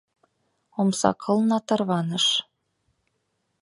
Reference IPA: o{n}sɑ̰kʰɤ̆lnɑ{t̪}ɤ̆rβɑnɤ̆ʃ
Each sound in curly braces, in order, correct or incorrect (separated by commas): incorrect, correct